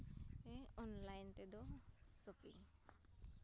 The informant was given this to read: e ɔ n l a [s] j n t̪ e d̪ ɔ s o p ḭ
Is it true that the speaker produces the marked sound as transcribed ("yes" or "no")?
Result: no